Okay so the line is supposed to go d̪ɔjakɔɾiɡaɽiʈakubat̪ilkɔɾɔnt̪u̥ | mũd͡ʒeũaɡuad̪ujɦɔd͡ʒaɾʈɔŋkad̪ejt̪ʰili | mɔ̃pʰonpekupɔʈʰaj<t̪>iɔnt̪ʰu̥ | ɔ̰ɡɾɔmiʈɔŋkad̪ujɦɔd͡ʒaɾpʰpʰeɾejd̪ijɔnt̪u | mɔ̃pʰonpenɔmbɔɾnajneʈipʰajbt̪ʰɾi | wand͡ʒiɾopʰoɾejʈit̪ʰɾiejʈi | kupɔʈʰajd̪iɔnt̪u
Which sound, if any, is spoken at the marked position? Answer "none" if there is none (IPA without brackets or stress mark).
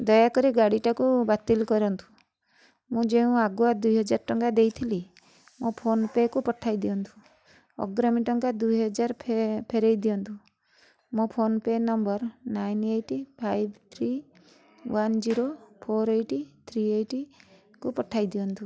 d̪